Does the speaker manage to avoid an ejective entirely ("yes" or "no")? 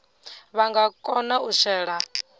no